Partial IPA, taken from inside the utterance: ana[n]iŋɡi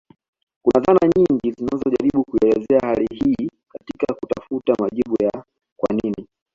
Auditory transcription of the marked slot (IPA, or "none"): ɲ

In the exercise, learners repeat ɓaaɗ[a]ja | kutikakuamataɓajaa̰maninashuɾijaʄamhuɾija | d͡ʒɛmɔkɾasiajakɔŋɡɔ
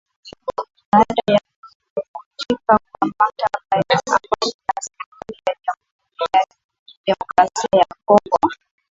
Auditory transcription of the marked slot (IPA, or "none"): a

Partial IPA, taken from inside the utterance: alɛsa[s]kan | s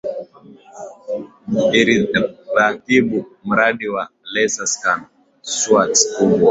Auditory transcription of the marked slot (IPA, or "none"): s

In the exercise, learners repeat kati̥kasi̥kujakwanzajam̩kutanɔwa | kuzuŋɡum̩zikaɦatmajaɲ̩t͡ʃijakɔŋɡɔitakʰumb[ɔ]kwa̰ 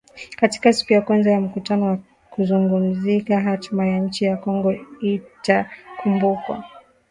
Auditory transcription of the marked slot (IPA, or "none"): u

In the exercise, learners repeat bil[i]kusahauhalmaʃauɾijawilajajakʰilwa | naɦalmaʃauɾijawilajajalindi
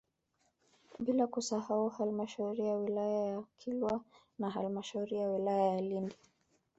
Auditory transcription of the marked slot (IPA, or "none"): a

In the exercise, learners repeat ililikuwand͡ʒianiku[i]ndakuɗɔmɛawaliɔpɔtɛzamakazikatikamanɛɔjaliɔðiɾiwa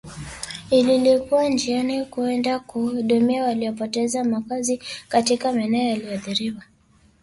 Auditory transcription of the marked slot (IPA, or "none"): ɛ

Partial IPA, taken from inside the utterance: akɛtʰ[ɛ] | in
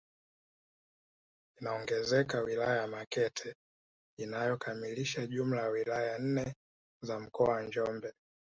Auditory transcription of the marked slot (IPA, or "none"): ɛ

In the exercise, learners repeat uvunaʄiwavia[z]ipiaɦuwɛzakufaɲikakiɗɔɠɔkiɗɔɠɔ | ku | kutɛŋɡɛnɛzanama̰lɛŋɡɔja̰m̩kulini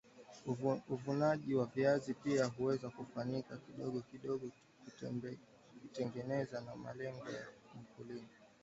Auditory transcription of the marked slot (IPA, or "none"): z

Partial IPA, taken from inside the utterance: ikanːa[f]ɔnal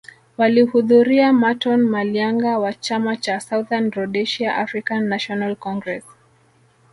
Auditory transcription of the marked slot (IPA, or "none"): ʃ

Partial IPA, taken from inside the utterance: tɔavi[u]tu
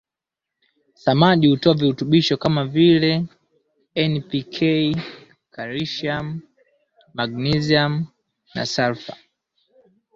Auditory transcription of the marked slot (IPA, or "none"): u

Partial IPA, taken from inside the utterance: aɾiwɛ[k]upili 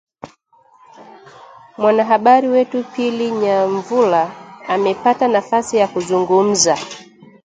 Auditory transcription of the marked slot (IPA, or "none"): t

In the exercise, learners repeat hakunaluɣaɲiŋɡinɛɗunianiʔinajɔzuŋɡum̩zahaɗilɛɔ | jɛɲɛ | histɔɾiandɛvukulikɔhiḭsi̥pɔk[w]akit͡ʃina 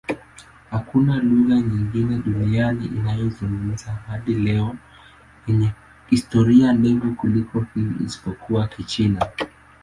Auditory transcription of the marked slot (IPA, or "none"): u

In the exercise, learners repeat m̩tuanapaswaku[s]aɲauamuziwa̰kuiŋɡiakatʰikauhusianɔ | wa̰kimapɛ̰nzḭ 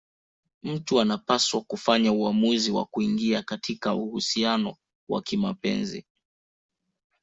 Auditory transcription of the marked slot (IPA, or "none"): f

